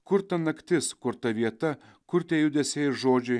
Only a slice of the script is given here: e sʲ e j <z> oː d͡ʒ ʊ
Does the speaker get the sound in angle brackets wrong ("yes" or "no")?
yes